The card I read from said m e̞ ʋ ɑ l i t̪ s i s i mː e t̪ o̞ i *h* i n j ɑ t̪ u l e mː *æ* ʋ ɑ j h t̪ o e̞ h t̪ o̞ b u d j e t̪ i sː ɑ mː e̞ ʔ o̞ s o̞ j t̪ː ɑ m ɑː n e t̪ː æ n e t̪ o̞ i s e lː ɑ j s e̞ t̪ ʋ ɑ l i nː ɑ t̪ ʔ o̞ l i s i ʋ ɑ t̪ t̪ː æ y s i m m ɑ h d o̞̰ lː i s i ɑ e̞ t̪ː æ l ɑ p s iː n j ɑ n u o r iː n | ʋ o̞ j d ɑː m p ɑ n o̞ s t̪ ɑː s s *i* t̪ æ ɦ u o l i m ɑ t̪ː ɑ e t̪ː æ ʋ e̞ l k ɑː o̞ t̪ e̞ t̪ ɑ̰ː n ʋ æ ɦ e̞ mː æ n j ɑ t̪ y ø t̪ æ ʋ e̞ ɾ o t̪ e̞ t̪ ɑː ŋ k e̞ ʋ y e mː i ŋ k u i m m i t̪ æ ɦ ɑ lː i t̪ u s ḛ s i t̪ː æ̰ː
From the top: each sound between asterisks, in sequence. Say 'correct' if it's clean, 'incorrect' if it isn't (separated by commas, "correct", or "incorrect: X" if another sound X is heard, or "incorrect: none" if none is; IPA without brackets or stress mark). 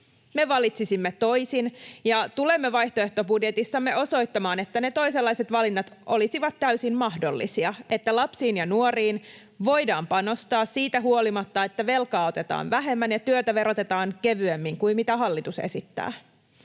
incorrect: s, incorrect: e, incorrect: iː